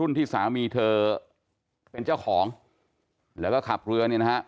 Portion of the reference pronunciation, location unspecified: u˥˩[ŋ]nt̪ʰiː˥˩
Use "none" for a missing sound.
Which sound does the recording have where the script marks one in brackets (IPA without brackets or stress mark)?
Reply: none